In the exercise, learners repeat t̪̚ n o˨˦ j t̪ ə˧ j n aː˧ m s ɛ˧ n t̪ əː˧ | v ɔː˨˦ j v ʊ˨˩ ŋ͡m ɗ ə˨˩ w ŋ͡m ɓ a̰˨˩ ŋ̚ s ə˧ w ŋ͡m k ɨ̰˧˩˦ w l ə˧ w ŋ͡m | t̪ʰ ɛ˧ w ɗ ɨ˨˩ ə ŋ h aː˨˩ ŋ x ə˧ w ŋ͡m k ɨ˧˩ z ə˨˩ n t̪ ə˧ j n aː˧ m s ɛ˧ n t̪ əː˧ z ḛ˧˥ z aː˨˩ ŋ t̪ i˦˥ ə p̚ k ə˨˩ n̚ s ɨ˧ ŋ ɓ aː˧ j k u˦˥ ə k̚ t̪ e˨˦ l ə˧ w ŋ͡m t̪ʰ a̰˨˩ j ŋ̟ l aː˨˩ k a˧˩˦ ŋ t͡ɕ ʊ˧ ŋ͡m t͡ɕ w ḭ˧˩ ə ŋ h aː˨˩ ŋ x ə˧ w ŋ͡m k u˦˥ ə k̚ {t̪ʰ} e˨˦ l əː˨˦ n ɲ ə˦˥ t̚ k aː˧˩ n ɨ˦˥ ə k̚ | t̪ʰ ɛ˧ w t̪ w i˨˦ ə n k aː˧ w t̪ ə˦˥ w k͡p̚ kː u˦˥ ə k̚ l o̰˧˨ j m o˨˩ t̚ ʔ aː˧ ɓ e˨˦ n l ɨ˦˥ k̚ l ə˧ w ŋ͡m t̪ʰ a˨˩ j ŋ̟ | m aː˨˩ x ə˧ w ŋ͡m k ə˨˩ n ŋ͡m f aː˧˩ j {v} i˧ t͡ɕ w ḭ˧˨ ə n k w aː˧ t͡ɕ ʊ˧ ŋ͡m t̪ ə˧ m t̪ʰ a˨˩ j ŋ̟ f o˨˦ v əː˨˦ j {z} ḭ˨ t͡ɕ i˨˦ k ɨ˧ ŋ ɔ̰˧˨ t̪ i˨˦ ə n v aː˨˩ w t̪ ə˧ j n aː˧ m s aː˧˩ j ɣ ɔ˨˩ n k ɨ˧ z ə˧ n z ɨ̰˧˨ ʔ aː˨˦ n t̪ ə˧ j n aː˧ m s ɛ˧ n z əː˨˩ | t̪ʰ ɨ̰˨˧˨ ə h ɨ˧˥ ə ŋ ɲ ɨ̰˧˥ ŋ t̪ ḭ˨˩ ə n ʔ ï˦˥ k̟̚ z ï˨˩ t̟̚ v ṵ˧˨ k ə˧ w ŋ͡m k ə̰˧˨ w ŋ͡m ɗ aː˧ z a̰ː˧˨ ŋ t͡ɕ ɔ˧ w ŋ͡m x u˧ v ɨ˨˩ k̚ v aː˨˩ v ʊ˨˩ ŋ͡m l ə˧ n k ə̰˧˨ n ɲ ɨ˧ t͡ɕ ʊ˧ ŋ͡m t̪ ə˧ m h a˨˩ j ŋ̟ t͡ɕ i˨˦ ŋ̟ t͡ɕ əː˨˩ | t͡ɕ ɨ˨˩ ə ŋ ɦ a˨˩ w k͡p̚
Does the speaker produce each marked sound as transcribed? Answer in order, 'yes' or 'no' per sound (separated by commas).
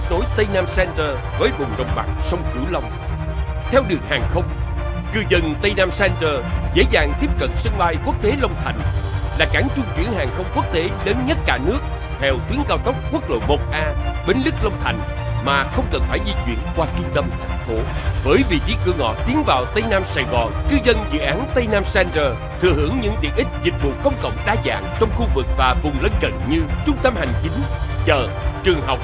no, no, no